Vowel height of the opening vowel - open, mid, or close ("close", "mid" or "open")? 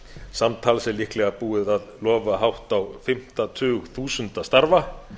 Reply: open